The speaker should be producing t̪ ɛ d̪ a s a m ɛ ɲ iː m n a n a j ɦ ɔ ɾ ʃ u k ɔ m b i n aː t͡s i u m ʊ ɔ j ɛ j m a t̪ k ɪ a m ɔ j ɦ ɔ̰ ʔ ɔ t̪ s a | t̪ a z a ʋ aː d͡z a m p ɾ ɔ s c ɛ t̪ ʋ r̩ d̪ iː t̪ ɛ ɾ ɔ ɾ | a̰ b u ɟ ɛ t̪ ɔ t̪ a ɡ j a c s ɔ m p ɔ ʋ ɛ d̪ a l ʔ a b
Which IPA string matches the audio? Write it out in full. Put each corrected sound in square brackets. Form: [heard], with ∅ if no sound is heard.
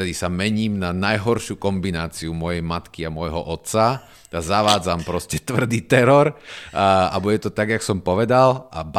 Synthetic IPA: t̪ ɛ d̪ [i] s a m ɛ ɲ iː m n a n a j ɦ ɔ ɾ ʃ u k ɔ m b i n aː t͡s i u m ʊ ɔ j ɛ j m a t̪ k [i] a m ɔ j ɦ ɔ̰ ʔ ɔ t̪ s a | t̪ a z a ʋ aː d͡z a m p ɾ ɔ s c ɛ t̪ ʋ r̩ d̪ iː t̪ ɛ ɾ ɔ ɾ | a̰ b u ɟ ɛ t̪ ɔ t̪ a ɡ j a [k] s ɔ m p ɔ ʋ ɛ d̪ a l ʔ a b